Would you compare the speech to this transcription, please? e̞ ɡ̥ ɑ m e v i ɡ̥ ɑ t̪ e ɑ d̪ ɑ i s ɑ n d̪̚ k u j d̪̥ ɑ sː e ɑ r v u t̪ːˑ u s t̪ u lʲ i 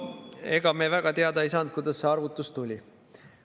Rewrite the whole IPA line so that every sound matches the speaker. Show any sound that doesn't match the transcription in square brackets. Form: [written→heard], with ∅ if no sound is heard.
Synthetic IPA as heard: e̞ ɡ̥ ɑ m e v [i→æ] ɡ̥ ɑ t̪ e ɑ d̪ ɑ i s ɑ n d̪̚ k u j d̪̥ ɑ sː e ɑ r v u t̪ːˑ u s t̪ u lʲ i